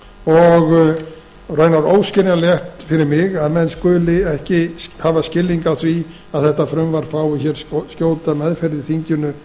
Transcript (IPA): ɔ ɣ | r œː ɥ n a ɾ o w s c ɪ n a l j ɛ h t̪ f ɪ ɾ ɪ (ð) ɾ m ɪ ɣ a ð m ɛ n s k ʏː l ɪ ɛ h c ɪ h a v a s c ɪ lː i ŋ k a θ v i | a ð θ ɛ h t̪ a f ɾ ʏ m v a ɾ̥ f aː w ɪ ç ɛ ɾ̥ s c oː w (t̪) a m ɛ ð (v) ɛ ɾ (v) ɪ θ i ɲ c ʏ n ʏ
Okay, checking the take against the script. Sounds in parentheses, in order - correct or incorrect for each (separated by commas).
incorrect, correct, incorrect, incorrect